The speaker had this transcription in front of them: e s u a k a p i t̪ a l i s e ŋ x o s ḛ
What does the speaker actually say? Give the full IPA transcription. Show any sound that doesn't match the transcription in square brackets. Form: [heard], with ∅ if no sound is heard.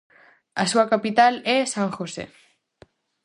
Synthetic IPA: [a] s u a k a p i t̪ a l [e] s [a] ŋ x o s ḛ

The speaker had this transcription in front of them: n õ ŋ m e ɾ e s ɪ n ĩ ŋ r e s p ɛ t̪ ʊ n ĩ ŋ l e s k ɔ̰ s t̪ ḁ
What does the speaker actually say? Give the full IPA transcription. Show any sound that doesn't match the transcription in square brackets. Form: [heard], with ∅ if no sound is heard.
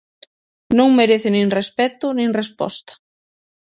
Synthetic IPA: n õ ŋ m e ɾ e [θ] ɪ n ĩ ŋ r e s p ɛ t̪ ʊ n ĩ ŋ [r] e s [p] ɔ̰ s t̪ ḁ

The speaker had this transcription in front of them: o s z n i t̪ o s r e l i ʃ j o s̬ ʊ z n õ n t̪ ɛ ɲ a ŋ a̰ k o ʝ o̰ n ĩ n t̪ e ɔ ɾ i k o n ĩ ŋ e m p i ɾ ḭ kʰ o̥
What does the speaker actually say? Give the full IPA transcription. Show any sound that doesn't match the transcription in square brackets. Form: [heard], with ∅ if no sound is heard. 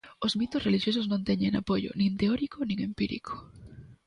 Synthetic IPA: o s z [m] i t̪ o s r e l i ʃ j o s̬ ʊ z n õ n t̪ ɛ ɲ [e] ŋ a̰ [p] o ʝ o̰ n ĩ n t̪ e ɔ ɾ i k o n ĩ ŋ e m p i ɾ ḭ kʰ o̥

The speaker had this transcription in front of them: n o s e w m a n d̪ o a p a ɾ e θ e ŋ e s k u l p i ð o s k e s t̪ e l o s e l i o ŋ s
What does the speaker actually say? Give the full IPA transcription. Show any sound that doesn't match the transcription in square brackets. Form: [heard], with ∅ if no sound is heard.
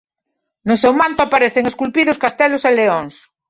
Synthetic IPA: n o s e w m a n [t̪] o a p a ɾ e θ e ŋ e s k u l p i ð o s k [a] s t̪ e l o s e l [e] o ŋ s

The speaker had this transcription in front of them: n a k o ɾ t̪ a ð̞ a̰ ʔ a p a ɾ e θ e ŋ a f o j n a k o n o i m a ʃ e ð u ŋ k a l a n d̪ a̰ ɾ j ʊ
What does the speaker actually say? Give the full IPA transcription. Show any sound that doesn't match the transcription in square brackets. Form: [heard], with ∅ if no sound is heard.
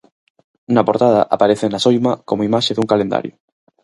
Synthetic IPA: n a [p] o ɾ t̪ a ð̞ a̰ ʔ a p a ɾ e θ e [n] a [s] o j [m] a k o [m] o i m a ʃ e ð u ŋ k a l [e] n d̪ a̰ ɾ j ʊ

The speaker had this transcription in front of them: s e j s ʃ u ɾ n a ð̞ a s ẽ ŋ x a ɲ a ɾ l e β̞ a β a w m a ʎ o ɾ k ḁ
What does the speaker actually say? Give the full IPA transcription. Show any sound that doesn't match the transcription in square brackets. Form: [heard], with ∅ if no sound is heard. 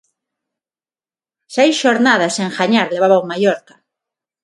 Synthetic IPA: s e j s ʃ [o] ɾ n a ð̞ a s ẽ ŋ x a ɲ a ɾ l e β̞ a β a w m a [j] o ɾ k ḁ

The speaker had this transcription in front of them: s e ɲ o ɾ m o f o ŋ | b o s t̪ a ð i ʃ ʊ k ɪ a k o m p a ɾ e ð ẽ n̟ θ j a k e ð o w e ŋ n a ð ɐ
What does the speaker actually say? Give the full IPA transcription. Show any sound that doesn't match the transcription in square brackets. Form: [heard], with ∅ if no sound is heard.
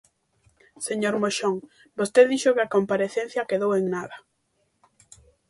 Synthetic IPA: s e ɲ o ɾ m o [ʃ] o ŋ | b o s t̪ [e] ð i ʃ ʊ k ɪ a k o m p a ɾ e [θ] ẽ n̟ θ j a k e ð o w e ŋ n a ð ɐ

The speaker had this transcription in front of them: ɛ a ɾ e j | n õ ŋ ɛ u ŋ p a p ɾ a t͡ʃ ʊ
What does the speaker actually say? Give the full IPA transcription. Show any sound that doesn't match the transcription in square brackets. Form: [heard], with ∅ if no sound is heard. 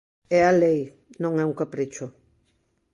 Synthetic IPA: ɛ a [l] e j | n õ ŋ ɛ u ŋ [k] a p ɾ [i] t͡ʃ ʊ

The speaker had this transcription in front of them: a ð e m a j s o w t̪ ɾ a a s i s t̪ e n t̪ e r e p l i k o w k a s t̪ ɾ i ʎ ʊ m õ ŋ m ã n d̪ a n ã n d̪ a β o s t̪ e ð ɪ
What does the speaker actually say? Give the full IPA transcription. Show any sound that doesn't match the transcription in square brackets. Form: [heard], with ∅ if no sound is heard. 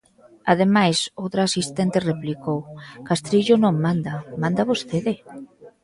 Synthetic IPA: a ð e m a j s o w t̪ ɾ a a s i s t̪ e n t̪ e r e p l i k o w k a s t̪ ɾ i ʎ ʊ [n] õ ŋ m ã n d̪ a [m] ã n d̪ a β o s t̪ e ð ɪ

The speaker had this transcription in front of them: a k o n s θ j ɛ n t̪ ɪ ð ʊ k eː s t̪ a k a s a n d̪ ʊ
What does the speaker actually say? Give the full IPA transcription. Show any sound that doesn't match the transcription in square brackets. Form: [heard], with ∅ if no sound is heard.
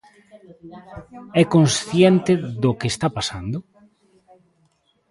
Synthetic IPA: [ɛ] k o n s θ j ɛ n t̪ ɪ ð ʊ k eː s t̪ a [p] a s a n d̪ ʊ

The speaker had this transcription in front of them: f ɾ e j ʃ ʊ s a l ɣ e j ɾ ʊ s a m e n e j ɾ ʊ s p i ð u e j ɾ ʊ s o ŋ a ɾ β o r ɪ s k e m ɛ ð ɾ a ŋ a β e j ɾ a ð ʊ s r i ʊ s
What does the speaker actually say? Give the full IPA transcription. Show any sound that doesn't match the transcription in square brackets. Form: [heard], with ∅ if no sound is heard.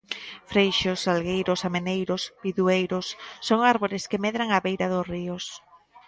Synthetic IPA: f ɾ e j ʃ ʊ s a l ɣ e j ɾ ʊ s a m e n e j ɾ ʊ s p i ð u e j ɾ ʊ [sː] o ŋ a ɾ β o [ɾ] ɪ s k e m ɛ ð ɾ a ŋ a β e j ɾ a ð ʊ s r i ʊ s

